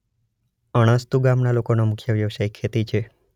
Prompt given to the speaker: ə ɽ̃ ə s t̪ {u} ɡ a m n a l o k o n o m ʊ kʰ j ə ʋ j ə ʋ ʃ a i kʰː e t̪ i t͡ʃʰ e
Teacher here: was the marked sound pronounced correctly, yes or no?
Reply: yes